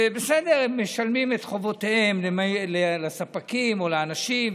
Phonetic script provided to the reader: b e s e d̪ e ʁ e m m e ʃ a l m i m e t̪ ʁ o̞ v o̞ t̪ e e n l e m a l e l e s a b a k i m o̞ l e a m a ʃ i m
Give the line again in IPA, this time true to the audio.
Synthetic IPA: b e s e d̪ e ʁ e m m e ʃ a l m i m e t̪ χ o̞ v o̞ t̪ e e m l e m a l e l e s a p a k i m o̞ l e a n a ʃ i m

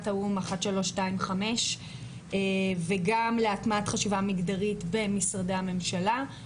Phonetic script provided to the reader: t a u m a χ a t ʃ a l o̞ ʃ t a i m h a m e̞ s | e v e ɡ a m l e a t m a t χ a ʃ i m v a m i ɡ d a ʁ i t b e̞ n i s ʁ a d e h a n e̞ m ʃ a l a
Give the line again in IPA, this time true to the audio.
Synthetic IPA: t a u m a χ a t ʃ a l o̞ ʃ t a i m χ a m e̞ ʃ | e v e ɡ a m l e a t m a t χ a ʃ i v a m i ɡ d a ʁ i t b e̞ m i s ʁ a d e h a m e̞ m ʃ a l a

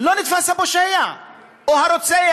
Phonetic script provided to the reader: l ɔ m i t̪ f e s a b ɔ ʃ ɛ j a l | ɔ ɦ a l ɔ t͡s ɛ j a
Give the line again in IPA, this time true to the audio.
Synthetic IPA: l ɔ n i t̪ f a s a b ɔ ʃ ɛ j a | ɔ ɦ a ɾ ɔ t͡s ɛ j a

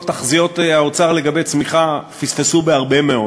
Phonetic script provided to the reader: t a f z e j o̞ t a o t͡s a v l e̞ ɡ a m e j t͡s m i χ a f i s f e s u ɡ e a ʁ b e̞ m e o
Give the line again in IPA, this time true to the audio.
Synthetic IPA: t a χ z i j o̞ t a o t͡s a ʁ l e̞ ɡ a b e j t͡s m i χ a f i s f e s u b e a ʁ b e̞ m e o

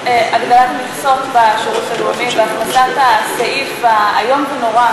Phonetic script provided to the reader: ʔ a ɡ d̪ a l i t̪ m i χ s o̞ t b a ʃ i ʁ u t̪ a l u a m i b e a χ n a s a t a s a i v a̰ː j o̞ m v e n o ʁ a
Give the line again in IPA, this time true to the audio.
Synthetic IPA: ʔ a ɡ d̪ a l a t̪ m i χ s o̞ t b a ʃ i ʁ u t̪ a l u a m i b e a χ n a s a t a s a i f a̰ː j o̞ m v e n o ʁ a

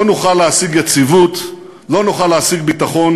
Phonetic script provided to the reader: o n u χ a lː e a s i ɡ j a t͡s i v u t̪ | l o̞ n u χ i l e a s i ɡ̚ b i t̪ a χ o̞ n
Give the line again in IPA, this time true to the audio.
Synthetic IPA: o n u χ a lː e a s i ɡ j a t͡s i v u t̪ | l o̞ n u χ a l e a s i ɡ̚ b i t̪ a χ o̞ n

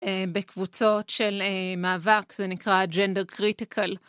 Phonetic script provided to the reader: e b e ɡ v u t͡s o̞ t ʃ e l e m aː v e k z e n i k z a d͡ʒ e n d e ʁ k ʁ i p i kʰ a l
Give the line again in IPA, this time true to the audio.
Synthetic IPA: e b e k v u t͡s o̞ t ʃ e l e m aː v a k z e n i k ʁ a d͡ʒ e n d e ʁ k ʁ i t i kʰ a l

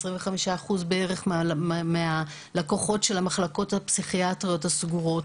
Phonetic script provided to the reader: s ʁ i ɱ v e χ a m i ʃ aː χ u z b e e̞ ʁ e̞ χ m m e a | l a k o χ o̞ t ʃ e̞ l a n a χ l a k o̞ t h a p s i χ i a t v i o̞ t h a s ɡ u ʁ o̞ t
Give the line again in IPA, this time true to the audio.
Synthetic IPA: s ʁ i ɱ v e χ a m i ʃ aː χ u z b e e̞ ʁ e̞ χ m m e a | l a k o χ o̞ t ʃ e̞ l a m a χ l a k o̞ t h a p s i χ i a t ʁ i o̞ t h a s ɡ u ʁ o̞ t

